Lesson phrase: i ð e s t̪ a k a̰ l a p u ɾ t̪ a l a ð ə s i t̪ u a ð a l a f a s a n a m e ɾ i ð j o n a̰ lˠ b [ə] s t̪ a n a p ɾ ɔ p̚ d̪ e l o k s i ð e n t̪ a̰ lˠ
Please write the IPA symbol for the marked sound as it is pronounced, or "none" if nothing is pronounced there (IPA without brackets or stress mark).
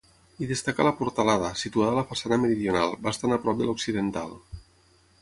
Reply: a